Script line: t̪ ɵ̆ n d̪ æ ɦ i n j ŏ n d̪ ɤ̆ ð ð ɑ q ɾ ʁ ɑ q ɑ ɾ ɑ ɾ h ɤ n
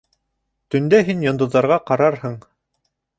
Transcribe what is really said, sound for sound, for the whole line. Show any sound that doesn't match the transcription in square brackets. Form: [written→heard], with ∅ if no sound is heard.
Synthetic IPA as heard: t̪ ɵ̆ n d̪ æ ɦ i n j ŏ n d̪ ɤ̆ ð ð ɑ [q→∅] ɾ ʁ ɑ q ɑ ɾ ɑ ɾ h ɤ [n→ɴ]